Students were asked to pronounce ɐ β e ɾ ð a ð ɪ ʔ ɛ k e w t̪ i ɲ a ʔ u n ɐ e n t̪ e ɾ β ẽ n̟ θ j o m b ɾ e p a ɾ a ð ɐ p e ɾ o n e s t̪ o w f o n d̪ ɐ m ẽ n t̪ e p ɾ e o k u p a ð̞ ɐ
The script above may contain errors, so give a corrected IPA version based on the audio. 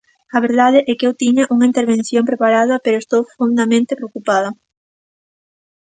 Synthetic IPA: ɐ β e ɾ ð a ð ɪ ʔ ɛ k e w t̪ i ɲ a ʔ u ŋ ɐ i n t̪ e ɾ β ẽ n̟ θ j o m p ɾ e p a ɾ a ð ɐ p e ɾ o e s t̪ o w f o n d̪ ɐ m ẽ n t̪ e p ɾ e o k u p a ð̞ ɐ